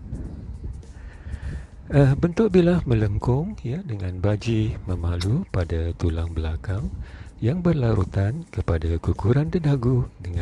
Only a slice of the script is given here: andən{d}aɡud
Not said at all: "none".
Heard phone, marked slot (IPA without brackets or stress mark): d